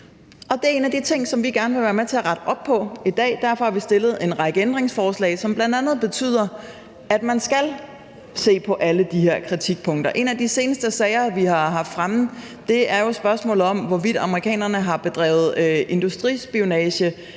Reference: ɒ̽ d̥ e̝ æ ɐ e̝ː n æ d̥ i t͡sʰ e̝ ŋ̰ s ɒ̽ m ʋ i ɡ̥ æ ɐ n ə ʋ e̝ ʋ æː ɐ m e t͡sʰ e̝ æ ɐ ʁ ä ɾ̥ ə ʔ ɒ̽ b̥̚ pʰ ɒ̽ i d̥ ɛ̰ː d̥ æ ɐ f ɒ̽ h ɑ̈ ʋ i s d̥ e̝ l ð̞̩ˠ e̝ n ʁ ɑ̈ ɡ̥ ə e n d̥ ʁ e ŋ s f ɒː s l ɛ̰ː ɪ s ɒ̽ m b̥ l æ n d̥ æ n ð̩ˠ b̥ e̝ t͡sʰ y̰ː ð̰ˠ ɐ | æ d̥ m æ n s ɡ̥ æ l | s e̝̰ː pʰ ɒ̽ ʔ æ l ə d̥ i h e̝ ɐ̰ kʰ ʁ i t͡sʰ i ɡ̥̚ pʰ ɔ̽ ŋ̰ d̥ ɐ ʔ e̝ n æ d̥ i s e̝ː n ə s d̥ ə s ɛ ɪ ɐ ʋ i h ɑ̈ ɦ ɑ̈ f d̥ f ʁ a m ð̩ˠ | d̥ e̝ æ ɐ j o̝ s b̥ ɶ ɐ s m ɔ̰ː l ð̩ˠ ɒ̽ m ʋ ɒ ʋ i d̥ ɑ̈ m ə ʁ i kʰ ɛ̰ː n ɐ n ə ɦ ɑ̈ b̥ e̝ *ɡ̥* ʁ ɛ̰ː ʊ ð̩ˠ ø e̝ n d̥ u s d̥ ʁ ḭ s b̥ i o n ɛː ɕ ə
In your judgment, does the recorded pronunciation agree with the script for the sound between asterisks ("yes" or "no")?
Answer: no